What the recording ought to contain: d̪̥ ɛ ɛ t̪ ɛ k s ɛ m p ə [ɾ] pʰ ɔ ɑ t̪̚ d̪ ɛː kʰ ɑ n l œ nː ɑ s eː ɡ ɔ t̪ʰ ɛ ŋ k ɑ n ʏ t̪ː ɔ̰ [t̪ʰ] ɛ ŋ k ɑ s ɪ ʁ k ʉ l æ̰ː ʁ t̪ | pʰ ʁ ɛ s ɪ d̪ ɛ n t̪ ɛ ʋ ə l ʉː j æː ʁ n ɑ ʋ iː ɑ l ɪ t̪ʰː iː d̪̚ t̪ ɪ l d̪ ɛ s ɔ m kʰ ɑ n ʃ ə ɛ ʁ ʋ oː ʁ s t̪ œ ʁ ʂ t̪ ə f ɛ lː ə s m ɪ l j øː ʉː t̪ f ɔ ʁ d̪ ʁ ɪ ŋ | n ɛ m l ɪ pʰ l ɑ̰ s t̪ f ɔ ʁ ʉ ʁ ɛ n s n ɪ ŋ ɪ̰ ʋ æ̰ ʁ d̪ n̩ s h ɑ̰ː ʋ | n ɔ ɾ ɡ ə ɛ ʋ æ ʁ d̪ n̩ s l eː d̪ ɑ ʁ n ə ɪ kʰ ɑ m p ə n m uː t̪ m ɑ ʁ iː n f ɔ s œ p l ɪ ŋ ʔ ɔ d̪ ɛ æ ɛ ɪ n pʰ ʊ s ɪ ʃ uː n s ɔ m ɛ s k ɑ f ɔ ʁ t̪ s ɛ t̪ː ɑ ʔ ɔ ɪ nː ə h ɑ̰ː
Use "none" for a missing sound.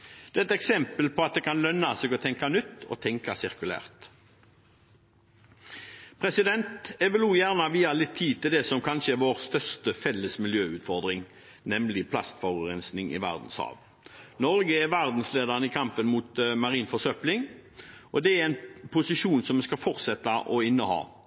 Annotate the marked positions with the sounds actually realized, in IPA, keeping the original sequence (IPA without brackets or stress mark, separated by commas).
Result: l, t̪ʰ